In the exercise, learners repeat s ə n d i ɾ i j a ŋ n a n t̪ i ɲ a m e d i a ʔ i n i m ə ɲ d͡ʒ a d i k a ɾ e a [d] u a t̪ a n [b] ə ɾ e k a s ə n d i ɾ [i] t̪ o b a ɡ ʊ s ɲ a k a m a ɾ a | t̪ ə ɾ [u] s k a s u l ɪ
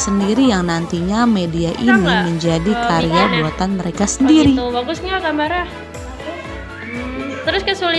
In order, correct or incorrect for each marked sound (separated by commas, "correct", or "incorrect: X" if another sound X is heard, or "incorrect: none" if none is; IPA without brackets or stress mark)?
incorrect: b, incorrect: m, correct, incorrect: ʊ